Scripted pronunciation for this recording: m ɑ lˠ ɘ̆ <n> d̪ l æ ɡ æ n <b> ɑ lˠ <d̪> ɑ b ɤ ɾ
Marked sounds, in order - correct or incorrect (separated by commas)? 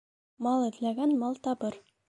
incorrect, incorrect, incorrect